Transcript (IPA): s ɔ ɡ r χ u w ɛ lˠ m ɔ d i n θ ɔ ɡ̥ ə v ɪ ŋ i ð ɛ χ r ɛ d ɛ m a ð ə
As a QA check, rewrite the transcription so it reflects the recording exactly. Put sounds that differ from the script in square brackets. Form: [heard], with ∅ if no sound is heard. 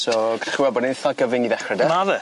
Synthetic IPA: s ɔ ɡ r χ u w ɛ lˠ [b] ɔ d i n θ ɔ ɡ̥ ə v ɪ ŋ i ð ɛ χ r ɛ d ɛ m a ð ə